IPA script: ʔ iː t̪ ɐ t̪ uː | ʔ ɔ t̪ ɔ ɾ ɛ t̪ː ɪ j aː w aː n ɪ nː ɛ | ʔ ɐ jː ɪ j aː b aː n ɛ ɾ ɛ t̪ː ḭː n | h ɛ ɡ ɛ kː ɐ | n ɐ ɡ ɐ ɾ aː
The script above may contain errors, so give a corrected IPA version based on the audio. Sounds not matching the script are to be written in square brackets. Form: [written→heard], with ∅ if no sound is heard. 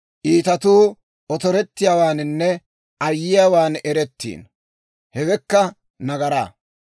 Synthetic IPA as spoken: ʔ iː t̪ ɐ t̪ uː | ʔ ɔ t̪ ɔ ɾ ɛ t̪ː ɪ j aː w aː n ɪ nː ɛ | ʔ ɐ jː ɪ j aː [b→w] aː n ɛ ɾ ɛ t̪ː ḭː n | h ɛ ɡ ɛ kː ɐ | n ɐ ɡ ɐ ɾ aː